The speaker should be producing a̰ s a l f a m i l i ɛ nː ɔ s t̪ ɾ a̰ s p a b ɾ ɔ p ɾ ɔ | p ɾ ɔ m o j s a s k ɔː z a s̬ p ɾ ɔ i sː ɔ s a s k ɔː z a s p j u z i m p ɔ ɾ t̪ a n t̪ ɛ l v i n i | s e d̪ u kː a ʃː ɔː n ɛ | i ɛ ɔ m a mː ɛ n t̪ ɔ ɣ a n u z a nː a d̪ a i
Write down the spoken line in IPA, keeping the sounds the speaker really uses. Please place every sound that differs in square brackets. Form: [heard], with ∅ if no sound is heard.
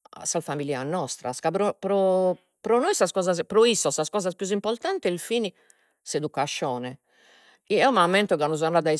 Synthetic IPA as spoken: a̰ s a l f a m i l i [a] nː ɔ s t̪ ɾ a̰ s [k] a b ɾ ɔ p ɾ ɔ | p ɾ ɔ [n] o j s a s k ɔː z a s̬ p ɾ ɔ i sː ɔ s a s k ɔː z a s p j u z i m p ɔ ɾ t̪ a n t̪ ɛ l [f] i n i | s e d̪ u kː a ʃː ɔː n ɛ | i ɛ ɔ m a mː ɛ n t̪ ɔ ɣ a n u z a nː a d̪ a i